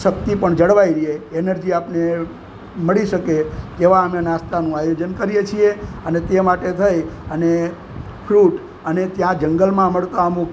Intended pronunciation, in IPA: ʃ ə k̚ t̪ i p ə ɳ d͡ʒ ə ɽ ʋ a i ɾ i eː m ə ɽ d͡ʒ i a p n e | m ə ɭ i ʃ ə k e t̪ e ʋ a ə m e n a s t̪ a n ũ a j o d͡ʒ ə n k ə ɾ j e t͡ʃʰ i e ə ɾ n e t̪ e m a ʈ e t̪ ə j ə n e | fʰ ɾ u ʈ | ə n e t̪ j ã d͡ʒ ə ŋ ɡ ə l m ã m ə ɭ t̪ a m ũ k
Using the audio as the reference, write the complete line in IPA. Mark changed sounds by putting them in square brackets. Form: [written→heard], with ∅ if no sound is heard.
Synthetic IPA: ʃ ə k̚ t̪ i p ə ɳ d͡ʒ ə ɽ ʋ a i ɾ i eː [m→n] ə [ɽ→ɾ] d͡ʒ i a p n e | m ə ɭ i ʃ ə k e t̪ e ʋ a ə m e n a s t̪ a n ũ a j o d͡ʒ ə n k ə ɾ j e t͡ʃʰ i e ə [ɾ→∅] n e t̪ e m a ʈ e [t̪→t̪ʰ] ə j ə n e | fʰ ɾ u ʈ | ə n e t̪ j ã d͡ʒ ə ŋ ɡ ə l m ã m ə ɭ t̪ a m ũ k